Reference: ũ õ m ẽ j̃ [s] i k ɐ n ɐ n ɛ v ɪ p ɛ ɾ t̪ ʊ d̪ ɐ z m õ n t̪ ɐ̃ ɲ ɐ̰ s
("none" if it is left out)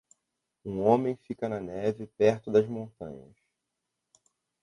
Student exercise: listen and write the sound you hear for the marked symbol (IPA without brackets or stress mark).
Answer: f